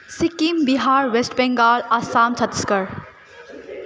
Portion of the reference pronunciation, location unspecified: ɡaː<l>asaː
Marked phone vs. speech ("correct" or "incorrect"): correct